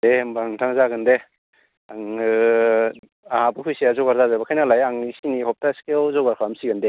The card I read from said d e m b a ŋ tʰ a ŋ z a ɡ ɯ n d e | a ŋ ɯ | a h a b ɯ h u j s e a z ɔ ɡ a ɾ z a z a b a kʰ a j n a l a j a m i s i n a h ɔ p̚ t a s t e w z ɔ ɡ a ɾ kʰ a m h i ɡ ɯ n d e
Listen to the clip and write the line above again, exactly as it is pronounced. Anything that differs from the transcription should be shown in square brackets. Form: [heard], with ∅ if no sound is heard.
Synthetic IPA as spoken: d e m b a ŋ tʰ a ŋ z a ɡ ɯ n d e | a ŋ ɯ | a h a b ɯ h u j s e a z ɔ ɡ a ɾ z a z a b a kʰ a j n a l a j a [ŋ] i s i n [i] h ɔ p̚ t a s [k] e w z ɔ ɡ a ɾ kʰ a m [s] i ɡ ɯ n d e